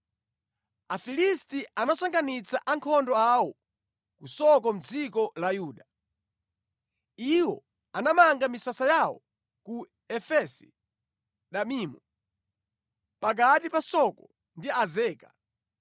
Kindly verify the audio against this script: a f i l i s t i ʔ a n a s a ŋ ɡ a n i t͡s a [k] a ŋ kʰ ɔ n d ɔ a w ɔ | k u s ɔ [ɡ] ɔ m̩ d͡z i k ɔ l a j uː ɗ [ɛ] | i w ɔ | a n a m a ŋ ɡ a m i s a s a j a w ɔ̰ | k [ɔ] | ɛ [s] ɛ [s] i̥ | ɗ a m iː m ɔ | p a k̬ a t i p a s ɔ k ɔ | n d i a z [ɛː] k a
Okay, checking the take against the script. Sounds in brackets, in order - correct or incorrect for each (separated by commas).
incorrect, incorrect, incorrect, incorrect, incorrect, correct, correct